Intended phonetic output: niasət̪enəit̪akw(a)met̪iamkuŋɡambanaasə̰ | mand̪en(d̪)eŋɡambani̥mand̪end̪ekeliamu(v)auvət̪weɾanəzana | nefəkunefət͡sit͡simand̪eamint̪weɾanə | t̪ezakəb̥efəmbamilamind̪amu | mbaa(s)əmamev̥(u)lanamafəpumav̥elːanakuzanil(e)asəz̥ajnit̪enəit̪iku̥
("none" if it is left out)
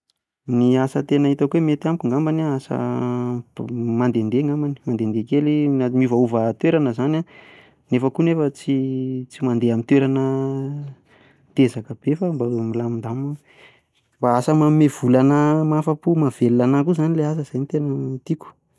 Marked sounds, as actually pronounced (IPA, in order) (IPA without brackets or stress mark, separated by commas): e, d̪, v, s, u, e